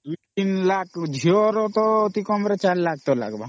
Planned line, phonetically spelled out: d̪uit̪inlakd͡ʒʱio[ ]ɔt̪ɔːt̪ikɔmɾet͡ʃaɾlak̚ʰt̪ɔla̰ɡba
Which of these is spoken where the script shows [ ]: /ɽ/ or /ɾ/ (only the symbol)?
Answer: ɾ